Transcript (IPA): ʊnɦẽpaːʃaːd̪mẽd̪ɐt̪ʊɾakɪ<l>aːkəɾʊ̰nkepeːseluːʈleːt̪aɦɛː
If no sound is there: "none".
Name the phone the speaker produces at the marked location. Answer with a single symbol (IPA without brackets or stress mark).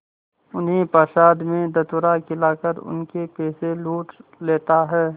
l